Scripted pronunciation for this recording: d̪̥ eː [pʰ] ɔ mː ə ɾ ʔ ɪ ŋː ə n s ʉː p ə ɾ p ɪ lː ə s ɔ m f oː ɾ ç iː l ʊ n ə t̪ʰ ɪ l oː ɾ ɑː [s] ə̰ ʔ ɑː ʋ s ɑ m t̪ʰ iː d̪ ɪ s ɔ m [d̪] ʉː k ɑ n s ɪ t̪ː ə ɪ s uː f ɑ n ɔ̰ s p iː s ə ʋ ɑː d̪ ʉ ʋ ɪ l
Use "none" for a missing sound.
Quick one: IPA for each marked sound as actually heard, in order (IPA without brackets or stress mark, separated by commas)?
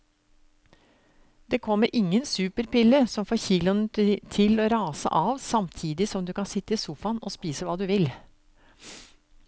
kʰ, s, d̪